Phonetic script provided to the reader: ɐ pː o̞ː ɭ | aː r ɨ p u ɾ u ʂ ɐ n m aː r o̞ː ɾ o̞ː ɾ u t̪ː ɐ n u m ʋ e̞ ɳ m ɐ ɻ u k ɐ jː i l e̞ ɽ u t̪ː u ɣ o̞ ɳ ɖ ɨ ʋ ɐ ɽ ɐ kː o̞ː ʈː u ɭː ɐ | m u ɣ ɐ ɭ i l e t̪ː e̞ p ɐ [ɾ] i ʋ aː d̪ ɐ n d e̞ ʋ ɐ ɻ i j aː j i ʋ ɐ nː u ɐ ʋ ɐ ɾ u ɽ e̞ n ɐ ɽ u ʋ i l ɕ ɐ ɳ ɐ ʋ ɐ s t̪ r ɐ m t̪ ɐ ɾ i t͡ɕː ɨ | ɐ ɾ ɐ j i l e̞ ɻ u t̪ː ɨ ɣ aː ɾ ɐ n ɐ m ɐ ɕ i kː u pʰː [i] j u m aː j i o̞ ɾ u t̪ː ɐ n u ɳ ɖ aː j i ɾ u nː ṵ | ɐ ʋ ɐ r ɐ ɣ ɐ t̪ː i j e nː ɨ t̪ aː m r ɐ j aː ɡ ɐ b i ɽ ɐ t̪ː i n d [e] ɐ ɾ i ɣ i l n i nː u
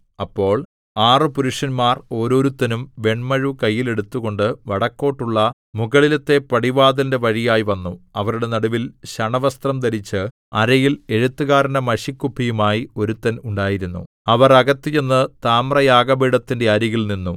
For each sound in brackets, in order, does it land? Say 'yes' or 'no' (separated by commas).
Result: no, yes, yes